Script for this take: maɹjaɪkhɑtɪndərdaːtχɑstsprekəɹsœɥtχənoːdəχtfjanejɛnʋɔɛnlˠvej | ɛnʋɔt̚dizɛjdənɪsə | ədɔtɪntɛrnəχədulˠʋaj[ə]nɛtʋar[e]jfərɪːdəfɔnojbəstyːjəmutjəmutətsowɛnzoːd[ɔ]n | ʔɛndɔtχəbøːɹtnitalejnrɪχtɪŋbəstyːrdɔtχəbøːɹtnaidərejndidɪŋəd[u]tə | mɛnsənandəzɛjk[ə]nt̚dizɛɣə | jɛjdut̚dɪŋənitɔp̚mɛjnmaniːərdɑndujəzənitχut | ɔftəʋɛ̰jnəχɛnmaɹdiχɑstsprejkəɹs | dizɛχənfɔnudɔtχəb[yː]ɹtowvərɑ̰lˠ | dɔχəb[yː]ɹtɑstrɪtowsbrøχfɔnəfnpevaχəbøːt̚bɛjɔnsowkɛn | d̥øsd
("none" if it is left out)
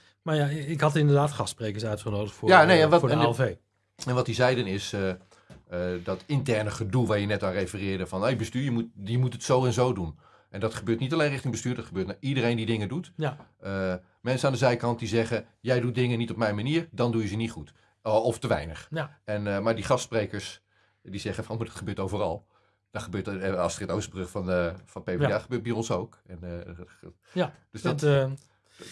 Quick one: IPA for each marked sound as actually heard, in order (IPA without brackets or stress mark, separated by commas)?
ə, e, u, u, ɑ, øː, øː